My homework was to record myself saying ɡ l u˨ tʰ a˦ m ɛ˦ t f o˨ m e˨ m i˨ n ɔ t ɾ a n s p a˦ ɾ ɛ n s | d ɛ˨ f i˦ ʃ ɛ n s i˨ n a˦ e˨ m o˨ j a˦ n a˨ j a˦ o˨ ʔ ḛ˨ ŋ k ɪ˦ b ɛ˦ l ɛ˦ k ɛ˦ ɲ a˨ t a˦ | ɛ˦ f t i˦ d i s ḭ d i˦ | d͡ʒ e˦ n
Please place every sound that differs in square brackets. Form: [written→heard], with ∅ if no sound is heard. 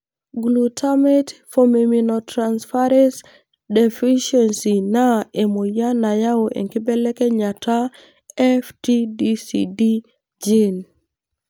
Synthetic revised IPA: ɡ l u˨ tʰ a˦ m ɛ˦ t f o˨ m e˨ m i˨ n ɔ t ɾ a n s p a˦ ɾ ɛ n s | d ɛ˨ f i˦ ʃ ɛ n s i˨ n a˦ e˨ m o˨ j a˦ n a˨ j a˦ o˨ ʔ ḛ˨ ŋ k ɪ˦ b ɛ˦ l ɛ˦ k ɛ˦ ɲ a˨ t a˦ | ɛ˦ f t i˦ d i s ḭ d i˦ | d͡ʒ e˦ n